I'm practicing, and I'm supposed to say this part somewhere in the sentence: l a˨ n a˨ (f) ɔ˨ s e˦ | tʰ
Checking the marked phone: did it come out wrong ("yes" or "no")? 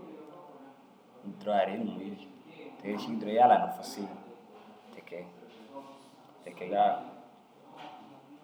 no